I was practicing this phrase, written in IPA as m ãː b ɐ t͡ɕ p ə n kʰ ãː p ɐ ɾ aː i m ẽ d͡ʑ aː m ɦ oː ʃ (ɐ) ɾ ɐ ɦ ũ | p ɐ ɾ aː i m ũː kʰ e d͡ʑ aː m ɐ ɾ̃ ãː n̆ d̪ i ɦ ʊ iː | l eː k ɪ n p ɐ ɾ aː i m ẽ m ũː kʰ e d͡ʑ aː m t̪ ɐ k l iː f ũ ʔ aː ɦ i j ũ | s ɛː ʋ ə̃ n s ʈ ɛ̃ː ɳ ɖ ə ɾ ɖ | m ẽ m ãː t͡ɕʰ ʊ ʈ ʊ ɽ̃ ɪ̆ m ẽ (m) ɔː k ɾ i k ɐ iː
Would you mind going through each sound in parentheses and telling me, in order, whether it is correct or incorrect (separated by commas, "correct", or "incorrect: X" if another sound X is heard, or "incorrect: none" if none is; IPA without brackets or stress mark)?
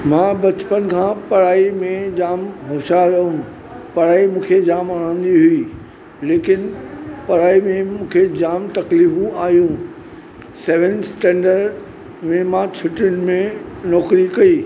incorrect: a, incorrect: n